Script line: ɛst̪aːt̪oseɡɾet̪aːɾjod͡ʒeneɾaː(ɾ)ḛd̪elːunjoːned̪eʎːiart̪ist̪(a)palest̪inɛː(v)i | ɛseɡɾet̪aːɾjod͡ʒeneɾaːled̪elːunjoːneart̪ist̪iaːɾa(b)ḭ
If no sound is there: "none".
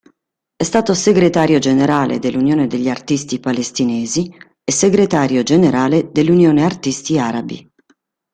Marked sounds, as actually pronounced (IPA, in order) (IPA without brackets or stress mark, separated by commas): l, i, z, b